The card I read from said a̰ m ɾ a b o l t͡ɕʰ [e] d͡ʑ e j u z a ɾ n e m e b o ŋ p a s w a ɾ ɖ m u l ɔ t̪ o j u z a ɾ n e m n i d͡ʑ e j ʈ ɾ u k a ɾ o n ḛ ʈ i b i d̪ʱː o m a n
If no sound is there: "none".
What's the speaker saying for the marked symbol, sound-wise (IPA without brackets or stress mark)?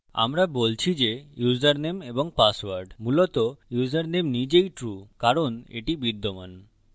i